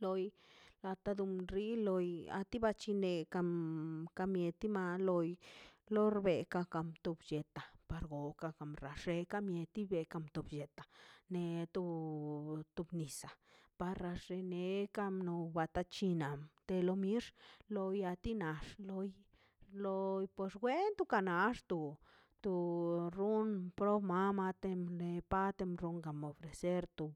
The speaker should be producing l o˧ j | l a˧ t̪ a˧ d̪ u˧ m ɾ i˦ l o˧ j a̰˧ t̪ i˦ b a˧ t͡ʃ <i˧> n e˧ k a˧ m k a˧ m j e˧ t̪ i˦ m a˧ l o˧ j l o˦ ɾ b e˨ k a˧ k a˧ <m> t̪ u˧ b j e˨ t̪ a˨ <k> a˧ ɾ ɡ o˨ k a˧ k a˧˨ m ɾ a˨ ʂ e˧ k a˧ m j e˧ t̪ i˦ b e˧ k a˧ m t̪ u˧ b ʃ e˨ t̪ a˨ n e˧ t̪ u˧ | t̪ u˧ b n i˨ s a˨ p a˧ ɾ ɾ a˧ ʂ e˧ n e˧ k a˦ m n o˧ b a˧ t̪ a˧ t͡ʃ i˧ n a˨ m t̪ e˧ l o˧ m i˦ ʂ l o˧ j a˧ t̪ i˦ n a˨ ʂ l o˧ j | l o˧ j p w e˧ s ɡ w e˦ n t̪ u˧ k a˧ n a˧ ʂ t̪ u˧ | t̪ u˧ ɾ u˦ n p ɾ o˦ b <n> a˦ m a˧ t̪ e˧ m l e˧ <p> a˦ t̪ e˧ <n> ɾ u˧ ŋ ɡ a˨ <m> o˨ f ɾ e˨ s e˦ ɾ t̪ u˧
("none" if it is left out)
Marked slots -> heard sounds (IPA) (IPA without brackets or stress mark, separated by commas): i˧, m, p, m, p, m, m